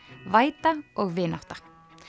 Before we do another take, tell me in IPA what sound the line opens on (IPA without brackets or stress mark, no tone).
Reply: v